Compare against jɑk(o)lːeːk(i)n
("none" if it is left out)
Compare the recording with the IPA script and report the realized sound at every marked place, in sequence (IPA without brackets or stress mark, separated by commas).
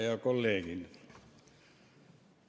o, i